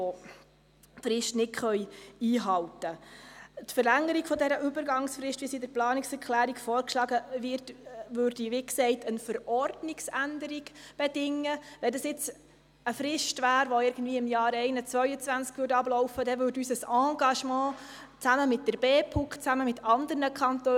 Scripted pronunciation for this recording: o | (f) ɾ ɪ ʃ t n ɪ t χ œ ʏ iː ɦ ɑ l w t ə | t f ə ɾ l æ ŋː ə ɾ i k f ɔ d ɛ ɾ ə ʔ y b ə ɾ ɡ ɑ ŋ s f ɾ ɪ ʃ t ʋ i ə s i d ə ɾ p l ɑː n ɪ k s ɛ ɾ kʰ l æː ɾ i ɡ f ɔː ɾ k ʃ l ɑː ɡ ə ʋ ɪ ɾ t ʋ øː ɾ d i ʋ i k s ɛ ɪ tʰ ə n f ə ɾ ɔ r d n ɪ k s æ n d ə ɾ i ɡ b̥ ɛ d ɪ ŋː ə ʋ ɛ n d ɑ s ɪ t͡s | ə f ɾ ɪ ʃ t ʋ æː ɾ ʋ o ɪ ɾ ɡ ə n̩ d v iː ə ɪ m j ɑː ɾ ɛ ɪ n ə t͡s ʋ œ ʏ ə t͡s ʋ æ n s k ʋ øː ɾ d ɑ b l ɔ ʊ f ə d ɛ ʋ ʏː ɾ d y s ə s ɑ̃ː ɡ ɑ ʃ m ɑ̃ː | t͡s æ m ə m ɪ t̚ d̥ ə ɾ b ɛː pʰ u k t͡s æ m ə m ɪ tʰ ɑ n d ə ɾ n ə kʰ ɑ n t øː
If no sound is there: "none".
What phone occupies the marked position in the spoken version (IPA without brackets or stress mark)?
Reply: f